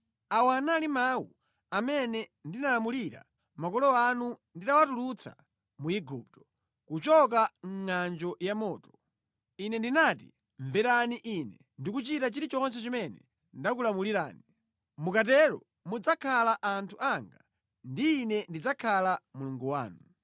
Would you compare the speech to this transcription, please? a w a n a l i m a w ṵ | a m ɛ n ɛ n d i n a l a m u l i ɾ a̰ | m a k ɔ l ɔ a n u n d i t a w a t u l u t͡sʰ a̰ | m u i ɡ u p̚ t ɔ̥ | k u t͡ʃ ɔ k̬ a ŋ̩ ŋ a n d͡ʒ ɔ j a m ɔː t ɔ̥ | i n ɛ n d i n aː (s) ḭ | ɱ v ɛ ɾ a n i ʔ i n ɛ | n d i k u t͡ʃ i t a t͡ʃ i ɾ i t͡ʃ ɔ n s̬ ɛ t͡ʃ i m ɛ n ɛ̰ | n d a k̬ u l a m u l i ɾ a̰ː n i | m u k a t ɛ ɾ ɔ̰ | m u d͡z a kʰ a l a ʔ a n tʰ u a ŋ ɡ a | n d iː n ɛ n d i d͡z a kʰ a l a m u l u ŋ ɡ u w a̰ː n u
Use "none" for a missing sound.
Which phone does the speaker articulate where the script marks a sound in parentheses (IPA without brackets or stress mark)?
t